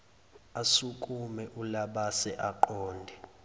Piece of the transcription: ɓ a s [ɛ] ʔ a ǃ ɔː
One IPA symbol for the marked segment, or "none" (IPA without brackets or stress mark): ɛ